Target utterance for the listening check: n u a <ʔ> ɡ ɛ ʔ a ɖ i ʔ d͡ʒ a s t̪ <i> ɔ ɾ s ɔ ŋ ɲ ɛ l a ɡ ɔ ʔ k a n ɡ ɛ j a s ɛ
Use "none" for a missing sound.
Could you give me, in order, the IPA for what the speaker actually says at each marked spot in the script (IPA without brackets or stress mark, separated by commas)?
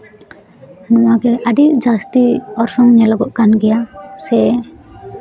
none, i